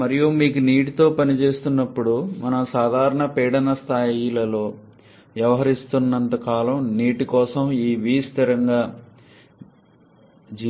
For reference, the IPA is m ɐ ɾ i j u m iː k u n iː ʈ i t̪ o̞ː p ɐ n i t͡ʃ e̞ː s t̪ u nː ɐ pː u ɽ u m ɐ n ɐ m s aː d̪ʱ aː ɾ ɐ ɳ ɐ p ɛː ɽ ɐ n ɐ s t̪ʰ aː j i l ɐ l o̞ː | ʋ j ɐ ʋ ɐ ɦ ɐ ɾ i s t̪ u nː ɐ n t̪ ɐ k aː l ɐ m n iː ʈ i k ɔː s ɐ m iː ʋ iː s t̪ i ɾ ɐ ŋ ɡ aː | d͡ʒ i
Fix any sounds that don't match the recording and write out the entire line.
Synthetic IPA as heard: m ɐ ɾ i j u m iː k u n iː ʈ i t̪ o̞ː p ɐ n i t͡ʃ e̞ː s t̪ u nː ɐ pː u ɽ u m ɐ n ɐ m s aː d̪ʱ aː ɾ ɐ ɳ ɐ p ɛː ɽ ɐ n ɐ s t̪ʰ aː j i l ɐ l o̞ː | ʋ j ɐ ʋ ɐ ɦ ɐ ɾ i s t̪ u nː ɐ n t̪ ɐ k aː l ɐ m n iː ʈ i k ɔː s ɐ m iː ʋ iː s t̪ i ɾ ɐ ŋ ɡ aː | d͡ʒ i